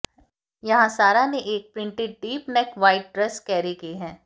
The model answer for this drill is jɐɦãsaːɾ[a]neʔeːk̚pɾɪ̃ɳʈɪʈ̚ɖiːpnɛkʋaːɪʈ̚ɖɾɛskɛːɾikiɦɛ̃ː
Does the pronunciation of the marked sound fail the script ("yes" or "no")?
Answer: no